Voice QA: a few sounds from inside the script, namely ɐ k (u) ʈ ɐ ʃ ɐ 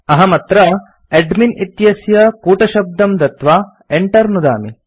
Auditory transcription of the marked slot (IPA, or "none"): uː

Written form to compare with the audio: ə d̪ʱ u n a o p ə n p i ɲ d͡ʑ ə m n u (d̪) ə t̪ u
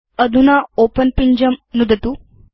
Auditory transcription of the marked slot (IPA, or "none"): d̪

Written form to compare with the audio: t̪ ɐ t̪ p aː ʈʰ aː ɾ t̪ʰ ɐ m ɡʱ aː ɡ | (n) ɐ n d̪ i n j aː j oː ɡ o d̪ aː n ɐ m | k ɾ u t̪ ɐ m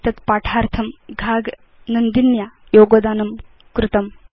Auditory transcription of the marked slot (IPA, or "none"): n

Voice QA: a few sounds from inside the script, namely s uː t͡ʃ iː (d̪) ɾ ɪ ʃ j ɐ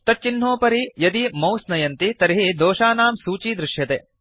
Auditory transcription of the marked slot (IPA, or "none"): d̪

